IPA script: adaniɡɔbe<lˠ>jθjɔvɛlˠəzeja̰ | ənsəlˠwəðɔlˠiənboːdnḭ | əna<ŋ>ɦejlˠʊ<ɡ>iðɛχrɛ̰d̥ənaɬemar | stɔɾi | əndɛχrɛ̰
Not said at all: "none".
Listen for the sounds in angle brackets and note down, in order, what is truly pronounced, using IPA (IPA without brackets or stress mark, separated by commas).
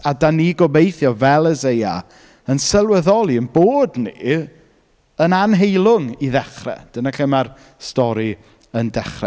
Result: none, n, ŋ